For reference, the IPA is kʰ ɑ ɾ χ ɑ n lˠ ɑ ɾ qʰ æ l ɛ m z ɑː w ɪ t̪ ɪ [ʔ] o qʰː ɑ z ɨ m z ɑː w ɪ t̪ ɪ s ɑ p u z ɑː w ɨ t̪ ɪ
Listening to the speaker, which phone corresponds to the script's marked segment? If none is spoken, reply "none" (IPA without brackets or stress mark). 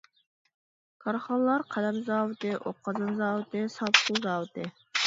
ʔ